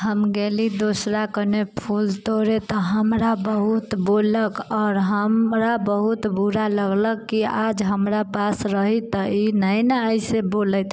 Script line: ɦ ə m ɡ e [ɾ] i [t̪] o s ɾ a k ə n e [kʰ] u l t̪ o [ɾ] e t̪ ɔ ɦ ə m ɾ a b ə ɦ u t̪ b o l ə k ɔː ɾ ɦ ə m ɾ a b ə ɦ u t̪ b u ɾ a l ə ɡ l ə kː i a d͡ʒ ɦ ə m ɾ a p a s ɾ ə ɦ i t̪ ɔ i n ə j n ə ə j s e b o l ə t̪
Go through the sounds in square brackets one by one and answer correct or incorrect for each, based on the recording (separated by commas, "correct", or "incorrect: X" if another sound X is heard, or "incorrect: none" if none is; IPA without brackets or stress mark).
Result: incorrect: l, incorrect: d̪, incorrect: pʰ, correct